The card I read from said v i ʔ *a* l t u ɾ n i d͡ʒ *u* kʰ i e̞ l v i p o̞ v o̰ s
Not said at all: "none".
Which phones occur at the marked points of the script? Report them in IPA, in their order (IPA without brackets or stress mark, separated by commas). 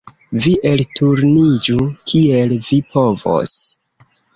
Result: e, u